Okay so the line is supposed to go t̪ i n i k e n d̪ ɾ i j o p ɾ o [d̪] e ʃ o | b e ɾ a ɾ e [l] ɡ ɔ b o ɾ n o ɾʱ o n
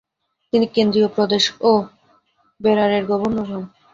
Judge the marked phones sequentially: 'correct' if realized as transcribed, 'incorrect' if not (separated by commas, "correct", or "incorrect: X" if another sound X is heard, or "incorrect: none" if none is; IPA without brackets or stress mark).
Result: correct, incorrect: ɾ